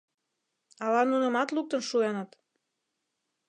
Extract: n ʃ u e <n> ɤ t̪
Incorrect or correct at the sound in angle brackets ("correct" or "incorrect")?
correct